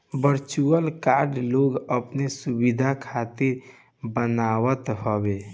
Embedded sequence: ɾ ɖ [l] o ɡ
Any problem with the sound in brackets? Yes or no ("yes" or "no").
no